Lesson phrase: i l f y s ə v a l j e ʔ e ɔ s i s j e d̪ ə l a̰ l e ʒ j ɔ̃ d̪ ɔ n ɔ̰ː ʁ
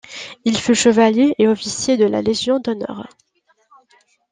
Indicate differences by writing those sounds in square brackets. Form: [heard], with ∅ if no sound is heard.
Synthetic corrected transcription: i l f y [ʃ] ə v a l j e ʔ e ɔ [f] i s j e d̪ ə l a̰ l e ʒ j ɔ̃ d̪ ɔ n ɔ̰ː ʁ